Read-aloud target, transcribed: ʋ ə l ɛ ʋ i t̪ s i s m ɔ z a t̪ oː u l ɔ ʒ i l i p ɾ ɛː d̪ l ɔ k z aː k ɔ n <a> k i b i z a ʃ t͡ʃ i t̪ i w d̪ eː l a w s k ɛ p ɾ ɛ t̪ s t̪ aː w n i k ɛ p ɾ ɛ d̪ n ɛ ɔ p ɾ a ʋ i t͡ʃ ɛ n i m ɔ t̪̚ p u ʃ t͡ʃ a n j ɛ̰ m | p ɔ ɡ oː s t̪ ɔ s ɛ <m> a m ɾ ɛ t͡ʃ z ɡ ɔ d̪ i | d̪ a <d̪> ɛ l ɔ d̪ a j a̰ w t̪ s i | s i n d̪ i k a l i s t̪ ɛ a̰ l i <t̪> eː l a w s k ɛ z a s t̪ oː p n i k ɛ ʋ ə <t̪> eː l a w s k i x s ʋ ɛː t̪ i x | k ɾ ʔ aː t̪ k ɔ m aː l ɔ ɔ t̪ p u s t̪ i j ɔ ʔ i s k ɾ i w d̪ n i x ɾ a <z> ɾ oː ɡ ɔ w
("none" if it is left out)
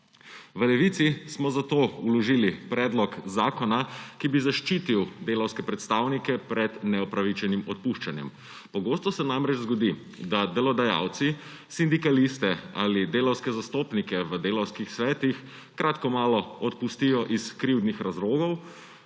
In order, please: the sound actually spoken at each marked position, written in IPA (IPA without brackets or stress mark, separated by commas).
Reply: a, n, d̪, d̪, d̪, z